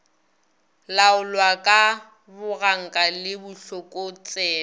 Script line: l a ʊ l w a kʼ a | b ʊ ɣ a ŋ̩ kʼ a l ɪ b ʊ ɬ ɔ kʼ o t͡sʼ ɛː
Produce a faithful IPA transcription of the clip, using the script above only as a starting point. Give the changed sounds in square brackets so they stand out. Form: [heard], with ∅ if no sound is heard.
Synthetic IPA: l a ʊ l w a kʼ a | b ʊ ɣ a ŋ̩ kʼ a l ɪ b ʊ ɬ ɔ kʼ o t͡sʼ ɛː